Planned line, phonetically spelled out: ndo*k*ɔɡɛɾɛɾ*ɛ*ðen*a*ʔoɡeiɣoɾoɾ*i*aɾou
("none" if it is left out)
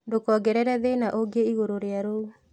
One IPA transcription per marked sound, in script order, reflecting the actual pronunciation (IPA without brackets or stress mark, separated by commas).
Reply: k, ɛ, a, e